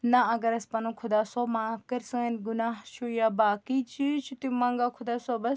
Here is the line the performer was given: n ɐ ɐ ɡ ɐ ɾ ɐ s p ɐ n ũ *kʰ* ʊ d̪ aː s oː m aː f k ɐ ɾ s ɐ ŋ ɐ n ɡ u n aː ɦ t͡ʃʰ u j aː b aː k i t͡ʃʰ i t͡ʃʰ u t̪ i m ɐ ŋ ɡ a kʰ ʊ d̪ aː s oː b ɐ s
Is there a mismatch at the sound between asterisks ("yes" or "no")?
no